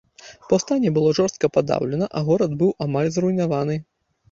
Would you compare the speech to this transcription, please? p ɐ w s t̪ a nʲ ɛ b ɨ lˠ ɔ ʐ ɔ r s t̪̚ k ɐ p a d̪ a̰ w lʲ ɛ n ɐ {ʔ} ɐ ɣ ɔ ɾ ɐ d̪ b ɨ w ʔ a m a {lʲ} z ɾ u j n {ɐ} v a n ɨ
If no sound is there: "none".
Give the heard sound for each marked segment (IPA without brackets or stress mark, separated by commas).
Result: ʔ, lʲ, a